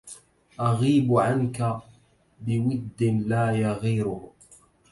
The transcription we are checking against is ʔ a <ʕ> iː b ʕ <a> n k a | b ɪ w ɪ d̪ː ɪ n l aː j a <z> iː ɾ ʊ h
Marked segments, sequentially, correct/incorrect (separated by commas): incorrect, correct, incorrect